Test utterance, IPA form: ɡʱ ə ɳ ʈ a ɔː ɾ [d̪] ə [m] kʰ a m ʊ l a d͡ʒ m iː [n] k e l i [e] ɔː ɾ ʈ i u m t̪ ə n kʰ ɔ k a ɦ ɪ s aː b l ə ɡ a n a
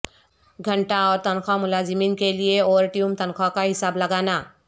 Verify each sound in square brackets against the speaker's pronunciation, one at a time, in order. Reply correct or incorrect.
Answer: incorrect: t̪, incorrect: n, correct, correct

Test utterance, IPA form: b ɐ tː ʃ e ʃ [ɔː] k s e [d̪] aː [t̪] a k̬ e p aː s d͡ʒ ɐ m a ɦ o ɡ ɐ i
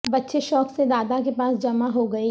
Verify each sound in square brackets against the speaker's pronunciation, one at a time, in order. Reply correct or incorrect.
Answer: correct, correct, incorrect: d̪

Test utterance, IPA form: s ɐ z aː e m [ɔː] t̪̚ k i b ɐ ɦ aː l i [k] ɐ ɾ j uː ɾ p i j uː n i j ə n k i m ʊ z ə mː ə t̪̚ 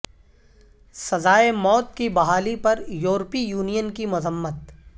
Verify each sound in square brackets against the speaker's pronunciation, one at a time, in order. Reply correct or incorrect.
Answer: correct, incorrect: p

